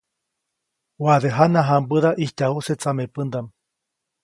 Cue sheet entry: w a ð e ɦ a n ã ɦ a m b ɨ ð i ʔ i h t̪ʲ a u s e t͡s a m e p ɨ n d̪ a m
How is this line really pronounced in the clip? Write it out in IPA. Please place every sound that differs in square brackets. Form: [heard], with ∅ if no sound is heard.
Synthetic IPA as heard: w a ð e ɦ a n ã ɦ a m b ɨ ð [a] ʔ i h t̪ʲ a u s e t͡s a m e p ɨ n d̪ a m